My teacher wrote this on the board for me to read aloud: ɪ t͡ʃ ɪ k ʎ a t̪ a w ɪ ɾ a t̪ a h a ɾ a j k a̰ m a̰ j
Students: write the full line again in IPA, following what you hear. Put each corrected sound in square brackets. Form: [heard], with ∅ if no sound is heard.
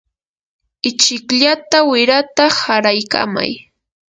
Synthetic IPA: ɪ t͡ʃ ɪ k ʎ a t̪ a w ɪ ɾ a t̪ a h a ɾ a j k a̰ m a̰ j